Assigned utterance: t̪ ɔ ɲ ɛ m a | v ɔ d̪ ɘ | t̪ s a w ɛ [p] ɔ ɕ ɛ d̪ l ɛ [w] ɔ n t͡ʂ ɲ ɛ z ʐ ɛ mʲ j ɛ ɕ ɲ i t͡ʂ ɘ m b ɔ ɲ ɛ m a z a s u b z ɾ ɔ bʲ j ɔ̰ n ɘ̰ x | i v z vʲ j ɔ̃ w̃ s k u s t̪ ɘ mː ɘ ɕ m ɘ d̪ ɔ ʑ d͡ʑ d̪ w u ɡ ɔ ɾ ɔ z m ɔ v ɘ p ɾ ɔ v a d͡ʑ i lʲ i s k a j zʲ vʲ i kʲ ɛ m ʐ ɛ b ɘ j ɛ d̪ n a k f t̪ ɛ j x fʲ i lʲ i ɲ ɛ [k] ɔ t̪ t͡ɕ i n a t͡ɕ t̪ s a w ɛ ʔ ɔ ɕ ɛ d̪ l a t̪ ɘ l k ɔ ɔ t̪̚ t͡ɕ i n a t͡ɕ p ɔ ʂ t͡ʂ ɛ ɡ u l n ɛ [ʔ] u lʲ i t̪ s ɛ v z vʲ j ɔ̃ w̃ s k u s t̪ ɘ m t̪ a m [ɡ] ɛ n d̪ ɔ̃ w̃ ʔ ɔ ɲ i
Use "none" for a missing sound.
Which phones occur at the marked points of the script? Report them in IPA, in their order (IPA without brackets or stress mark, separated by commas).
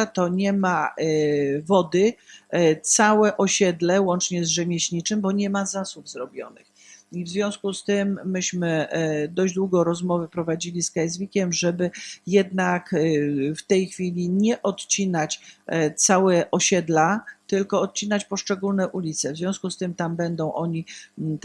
ʔ, w, ʔ, ʔ, b